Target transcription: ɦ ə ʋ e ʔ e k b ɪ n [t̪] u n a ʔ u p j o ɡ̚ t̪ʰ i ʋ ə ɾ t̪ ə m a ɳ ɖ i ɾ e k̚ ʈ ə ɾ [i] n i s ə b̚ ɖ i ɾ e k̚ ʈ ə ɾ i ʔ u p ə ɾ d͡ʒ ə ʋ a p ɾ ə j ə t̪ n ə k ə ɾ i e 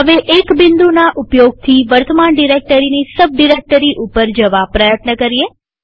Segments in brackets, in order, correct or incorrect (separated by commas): incorrect, correct